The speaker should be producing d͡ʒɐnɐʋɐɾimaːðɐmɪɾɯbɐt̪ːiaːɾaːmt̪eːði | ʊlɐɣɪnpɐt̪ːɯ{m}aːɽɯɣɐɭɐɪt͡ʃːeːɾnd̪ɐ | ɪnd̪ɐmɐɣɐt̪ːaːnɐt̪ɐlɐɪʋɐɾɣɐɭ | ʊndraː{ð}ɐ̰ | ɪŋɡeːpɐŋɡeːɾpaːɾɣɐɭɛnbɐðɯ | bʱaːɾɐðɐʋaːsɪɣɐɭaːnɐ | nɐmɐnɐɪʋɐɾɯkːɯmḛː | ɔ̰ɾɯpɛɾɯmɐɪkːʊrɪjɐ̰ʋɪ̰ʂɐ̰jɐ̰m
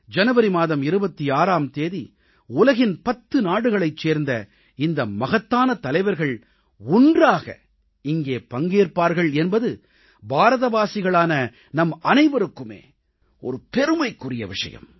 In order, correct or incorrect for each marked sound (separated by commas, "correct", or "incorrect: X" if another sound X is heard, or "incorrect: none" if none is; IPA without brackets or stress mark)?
incorrect: n, incorrect: ɣ